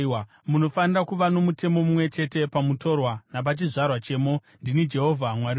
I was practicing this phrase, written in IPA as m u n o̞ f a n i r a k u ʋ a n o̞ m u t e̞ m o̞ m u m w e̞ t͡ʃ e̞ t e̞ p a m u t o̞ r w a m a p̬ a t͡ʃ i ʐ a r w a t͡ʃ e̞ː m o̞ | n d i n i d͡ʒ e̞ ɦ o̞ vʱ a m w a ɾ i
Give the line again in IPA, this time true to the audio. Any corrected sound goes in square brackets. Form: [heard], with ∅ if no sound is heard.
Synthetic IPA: m u n o̞ f a n i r a k u ʋ a n o̞ m u t e̞ m o̞ m u m w e̞ t͡ʃ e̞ t e̞ p a m u t o̞ r w a [n] a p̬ a t͡ʃ i ʐ a r w a t͡ʃ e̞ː m o̞ | n d i n i d͡ʒ e̞ ɦ o̞ vʱ a m w a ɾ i